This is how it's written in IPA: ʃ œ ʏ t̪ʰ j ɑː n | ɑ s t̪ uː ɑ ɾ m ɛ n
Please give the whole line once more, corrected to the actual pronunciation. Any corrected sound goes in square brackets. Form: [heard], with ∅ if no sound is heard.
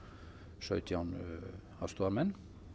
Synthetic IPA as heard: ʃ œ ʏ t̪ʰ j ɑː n | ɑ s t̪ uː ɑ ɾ m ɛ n